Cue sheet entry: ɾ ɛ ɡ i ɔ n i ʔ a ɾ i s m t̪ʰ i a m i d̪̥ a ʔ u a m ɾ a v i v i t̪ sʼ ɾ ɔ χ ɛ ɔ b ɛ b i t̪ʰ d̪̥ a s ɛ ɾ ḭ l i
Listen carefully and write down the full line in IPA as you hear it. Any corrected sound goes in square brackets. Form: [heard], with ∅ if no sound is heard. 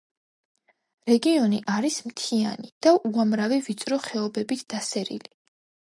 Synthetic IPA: ɾ ɛ ɡ i ɔ n i ʔ a ɾ i s m t̪ʰ i a [n] i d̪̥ a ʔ u a m ɾ a v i v i t̪ sʼ ɾ ɔ χ ɛ ɔ b ɛ b i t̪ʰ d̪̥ a s ɛ ɾ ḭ l i